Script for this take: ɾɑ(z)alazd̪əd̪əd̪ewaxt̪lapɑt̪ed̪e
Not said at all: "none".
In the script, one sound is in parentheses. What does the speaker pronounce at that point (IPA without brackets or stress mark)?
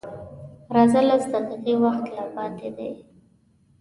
z